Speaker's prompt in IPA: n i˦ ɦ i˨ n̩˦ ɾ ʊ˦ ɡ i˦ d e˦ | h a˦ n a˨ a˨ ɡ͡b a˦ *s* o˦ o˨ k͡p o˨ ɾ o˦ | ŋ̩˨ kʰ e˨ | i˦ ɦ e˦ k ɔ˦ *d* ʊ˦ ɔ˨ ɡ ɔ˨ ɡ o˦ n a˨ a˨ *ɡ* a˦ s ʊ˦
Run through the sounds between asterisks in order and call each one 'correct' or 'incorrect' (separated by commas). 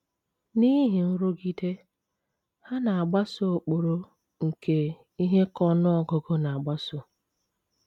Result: correct, incorrect, incorrect